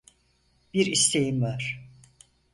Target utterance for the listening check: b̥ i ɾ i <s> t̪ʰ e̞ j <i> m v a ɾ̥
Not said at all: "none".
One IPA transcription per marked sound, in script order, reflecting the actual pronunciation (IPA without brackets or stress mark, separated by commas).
s, i